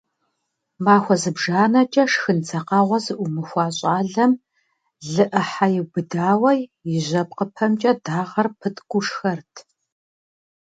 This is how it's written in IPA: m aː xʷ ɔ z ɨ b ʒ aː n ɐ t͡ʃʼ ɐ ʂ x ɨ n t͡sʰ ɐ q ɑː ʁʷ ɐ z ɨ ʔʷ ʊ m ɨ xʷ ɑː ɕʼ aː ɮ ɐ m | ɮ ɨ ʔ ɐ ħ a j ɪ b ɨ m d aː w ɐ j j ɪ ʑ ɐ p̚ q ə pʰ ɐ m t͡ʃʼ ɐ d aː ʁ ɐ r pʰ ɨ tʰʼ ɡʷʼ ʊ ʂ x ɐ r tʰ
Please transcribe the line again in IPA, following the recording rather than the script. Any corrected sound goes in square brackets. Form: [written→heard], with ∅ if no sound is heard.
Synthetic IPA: m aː xʷ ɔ z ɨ b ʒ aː n ɐ t͡ʃʼ ɐ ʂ x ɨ n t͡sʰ ɐ q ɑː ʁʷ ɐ z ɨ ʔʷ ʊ m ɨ xʷ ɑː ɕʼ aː ɮ ɐ m | ɮ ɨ ʔ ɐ ħ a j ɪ b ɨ [m→∅] d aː w ɐ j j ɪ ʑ ɐ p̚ q ə pʰ ɐ m t͡ʃʼ ɐ d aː ʁ ɐ r pʰ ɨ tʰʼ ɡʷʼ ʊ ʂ x ɐ r tʰ